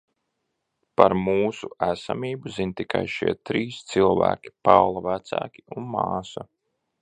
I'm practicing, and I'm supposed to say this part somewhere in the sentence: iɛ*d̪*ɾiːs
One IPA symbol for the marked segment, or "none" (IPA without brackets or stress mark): t̪